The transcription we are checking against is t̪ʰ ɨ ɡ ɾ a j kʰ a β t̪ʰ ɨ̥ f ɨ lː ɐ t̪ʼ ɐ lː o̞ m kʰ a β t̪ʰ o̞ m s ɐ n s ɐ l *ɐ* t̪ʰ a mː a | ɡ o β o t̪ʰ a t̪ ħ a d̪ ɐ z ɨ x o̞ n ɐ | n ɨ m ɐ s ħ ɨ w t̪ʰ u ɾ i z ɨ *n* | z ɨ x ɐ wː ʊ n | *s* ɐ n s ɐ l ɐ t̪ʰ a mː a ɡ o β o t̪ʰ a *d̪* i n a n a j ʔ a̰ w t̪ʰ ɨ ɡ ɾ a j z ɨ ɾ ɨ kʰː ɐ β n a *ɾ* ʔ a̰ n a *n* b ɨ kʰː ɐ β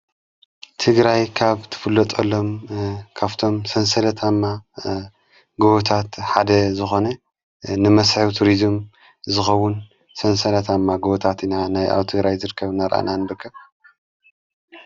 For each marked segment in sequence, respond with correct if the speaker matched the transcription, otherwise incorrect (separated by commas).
correct, incorrect, correct, incorrect, correct, correct